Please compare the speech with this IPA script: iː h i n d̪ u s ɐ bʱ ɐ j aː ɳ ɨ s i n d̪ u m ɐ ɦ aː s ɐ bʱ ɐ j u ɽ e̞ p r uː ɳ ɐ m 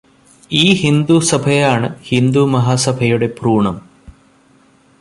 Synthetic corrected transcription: iː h i n d̪ u s ɐ bʱ ɐ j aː ɳ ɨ h i n d̪ u m ɐ ɦ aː s ɐ bʱ ɐ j u ɽ e̞ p r uː ɳ ɐ m

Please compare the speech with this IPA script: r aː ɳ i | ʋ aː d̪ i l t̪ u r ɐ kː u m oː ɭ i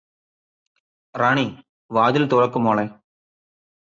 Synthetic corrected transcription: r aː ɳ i | ʋ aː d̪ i l t̪ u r ɐ kː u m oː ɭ e

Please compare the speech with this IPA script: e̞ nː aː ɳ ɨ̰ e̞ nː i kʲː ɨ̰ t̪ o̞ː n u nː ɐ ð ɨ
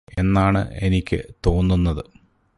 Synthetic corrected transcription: e̞ nː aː ɳ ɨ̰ e̞ n i kʲː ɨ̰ t̪ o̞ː nː u nː ɐ ð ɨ

